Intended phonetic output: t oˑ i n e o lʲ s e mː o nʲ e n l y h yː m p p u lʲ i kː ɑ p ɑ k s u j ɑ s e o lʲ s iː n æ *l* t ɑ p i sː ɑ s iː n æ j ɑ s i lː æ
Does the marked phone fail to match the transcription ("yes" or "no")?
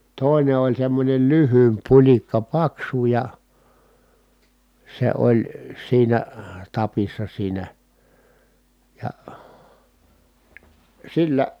yes